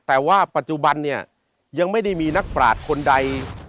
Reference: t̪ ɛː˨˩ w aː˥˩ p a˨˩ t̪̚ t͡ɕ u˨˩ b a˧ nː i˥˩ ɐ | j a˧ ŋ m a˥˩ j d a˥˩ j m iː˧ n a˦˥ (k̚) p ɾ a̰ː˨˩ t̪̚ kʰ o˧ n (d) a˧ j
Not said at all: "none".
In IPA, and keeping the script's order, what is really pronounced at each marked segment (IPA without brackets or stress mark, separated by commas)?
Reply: k̚, d